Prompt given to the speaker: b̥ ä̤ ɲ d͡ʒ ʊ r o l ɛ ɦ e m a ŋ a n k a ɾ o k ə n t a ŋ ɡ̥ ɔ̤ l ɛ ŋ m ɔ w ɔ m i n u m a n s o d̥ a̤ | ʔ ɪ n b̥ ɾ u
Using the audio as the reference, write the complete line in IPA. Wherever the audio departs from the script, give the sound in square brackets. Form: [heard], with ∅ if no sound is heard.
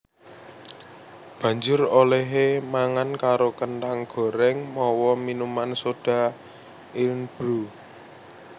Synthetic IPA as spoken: b̥ ä̤ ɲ d͡ʒ ʊ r o l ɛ ɦ e m a ŋ a n k a ɾ o k ə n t a ŋ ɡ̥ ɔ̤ [ɾ] ɛ ŋ m ɔ w ɔ m i n u m a n s o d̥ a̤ | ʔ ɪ n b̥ ɾ u